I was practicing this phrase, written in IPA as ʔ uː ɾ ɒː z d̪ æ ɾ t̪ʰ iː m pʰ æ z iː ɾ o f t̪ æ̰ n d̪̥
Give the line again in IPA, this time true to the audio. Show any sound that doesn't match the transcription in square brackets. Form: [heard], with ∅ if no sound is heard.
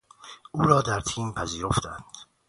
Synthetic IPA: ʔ uː ɾ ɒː [∅] d̪ æ ɾ t̪ʰ iː m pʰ æ z iː ɾ o f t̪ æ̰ n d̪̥